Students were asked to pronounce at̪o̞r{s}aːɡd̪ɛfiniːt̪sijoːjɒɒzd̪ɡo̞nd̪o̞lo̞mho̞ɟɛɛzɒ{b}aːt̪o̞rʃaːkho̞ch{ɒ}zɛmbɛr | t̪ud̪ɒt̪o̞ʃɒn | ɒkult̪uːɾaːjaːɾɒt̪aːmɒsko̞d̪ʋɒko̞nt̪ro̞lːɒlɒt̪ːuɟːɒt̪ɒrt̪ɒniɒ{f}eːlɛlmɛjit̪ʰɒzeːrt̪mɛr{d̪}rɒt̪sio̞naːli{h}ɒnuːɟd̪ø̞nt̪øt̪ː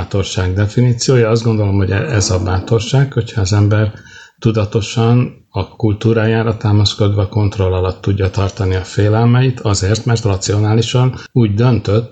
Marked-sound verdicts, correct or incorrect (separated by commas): incorrect, correct, incorrect, correct, incorrect, incorrect